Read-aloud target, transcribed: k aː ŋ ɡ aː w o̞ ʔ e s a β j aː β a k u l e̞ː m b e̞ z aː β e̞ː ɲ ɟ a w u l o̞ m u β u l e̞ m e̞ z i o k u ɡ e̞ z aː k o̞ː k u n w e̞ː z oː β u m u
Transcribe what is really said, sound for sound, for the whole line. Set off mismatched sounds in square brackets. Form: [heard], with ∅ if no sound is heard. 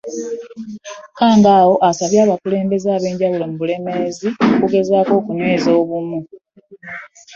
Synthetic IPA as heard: k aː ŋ ɡ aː w o̞ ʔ [a] s a β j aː β a k u l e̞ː m b e̞ z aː β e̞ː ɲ ɟ a w u l o̞ m u β u l e̞ m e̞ z i o k u ɡ e̞ z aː k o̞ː k u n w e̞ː z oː β u m u